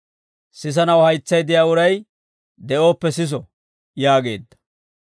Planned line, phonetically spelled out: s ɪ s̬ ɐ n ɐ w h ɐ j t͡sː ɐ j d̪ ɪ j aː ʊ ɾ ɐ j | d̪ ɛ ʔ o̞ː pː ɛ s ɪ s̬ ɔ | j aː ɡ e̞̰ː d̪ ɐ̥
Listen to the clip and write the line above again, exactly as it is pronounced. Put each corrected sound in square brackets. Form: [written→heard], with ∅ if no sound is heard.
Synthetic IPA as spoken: s ɪ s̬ ɐ n ɐ w h ɐ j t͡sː ɐ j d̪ ɪ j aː ʊ ɾ ɐ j | d̪ ɛ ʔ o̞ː pː ɛ s ɪ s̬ ɔ | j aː ɡ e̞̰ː [d̪→d̪ː] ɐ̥